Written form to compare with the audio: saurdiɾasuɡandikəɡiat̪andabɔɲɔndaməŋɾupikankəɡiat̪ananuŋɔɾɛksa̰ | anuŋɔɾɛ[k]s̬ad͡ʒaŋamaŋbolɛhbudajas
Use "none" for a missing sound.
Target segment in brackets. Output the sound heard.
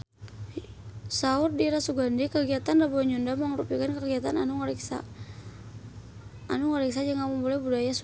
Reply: k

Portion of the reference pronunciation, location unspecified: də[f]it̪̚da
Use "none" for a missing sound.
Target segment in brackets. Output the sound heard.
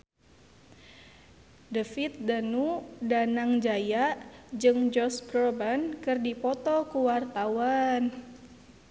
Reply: f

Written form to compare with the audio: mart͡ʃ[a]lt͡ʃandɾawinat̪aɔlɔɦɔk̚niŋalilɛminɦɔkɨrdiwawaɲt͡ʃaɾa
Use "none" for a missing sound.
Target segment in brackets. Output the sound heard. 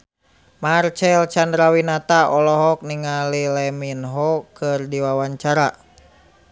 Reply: ɛ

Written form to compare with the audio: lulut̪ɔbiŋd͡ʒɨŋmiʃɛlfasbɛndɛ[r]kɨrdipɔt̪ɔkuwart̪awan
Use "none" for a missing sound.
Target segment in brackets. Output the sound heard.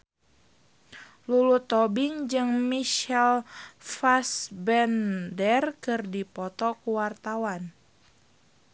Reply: r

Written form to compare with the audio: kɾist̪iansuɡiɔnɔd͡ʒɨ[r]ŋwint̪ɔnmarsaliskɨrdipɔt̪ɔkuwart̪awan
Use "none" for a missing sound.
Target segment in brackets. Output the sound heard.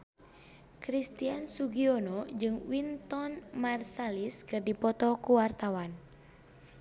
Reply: none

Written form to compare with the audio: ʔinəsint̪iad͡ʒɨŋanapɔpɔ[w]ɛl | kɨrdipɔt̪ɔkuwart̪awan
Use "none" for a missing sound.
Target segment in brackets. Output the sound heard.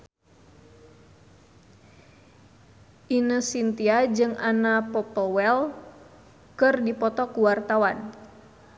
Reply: w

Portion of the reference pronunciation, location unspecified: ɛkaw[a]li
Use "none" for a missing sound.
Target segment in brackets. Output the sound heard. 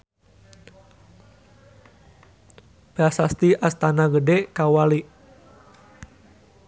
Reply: a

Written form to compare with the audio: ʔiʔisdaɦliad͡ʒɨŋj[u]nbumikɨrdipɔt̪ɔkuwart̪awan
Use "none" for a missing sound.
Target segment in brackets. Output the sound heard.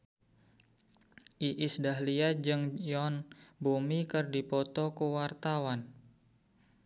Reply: ɔ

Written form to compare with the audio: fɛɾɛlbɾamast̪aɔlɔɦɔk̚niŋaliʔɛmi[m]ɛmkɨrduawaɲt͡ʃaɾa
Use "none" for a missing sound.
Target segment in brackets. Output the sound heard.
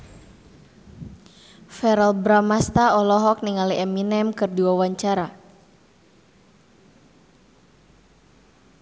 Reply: n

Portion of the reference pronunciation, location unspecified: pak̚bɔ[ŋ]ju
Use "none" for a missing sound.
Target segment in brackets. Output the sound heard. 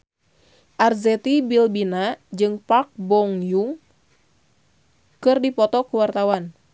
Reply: ŋ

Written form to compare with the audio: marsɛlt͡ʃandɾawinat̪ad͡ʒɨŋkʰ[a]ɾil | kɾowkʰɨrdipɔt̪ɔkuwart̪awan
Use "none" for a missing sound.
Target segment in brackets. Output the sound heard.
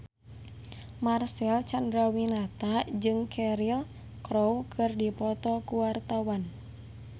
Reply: ɛ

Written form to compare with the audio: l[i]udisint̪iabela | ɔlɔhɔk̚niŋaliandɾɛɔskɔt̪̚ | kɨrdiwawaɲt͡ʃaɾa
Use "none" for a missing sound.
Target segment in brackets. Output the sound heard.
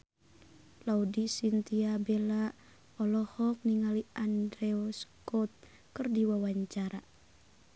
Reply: a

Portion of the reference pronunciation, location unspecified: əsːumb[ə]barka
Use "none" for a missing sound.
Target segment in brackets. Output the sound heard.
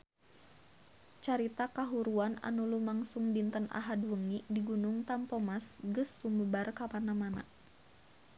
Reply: ə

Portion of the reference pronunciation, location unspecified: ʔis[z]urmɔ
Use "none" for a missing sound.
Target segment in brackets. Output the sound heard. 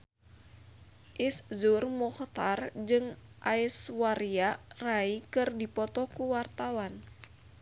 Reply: z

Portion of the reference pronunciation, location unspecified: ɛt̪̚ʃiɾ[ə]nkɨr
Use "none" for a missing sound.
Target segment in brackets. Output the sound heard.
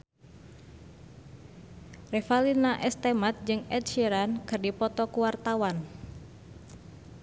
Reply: a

